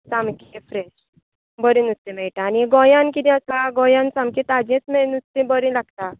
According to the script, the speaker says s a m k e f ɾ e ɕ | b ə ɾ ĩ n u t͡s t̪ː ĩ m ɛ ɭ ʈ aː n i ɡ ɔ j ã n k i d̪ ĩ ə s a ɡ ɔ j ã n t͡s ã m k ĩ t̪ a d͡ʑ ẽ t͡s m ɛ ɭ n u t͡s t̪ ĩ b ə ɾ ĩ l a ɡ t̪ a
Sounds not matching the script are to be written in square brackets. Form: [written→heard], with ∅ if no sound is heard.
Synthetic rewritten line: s a m k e f ɾ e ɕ | b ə ɾ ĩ n u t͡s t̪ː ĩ m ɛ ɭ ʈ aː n i ɡ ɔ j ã n k i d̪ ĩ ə s a ɡ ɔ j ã n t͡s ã m k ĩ t̪ a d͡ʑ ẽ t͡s m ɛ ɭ n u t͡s t̪ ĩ b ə ɾ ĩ l a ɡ t̪ a